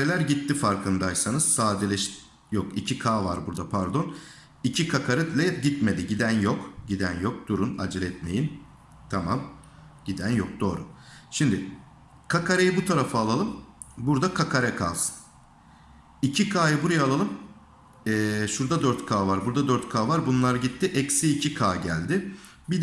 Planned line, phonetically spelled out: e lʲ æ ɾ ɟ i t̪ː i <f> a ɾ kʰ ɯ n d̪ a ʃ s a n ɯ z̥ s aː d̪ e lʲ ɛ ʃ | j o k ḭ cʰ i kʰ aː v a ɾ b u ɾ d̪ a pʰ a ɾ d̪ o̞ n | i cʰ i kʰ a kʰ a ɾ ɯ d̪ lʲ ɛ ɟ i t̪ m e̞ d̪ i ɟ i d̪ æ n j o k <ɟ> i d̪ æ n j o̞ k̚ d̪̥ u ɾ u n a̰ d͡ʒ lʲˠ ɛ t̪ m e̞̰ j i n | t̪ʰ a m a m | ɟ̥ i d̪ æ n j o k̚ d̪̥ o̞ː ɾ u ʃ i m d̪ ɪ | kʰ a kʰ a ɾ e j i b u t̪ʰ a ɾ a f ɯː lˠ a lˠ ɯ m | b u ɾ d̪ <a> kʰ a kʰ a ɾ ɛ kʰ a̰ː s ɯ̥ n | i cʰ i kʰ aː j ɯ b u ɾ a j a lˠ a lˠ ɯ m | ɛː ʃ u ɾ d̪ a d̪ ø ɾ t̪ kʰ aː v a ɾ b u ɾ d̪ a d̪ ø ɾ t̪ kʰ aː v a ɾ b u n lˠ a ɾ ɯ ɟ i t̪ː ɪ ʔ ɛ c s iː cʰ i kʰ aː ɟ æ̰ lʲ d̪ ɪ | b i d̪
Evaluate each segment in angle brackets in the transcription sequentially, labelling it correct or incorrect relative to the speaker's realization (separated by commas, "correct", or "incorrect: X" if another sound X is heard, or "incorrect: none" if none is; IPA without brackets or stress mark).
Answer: correct, correct, correct